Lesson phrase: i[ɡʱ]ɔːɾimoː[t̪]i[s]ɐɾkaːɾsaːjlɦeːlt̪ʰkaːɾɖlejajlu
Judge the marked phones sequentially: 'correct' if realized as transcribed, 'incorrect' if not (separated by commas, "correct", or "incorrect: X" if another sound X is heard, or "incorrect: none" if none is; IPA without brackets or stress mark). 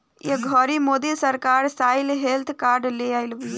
correct, incorrect: d̪, correct